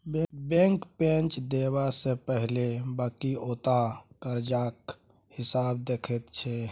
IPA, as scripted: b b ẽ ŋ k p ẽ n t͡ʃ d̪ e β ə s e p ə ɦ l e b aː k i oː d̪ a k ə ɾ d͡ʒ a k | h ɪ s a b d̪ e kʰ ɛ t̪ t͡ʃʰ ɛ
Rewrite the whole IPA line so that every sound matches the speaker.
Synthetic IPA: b b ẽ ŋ k p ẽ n t͡ʃ d̪ e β a s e p ə ɦ l e b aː k i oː t̪ a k ə ɾ d͡ʒ a k | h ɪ s a b d̪ e kʰ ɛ t̪ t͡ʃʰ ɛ